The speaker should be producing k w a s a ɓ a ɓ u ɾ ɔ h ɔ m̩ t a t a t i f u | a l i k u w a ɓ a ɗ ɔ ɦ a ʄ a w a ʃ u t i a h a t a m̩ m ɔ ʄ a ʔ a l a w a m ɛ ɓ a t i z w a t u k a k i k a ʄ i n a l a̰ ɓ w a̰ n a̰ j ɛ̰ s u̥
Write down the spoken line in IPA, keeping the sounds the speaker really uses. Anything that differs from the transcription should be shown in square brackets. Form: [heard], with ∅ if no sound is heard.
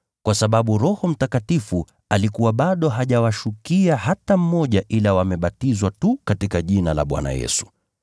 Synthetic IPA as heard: k w a s a ɓ a ɓ u ɾ ɔ h ɔ m̩ t a [k] a t i f u | a l i k u w a ɓ a ɗ ɔ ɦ a ʄ a w a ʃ u [k] i a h a t a m̩ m ɔ ʄ a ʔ [i] l a w a m ɛ ɓ a t i z w a t u k a [t] i k a ʄ i n a l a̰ ɓ w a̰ n a̰ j ɛ̰ s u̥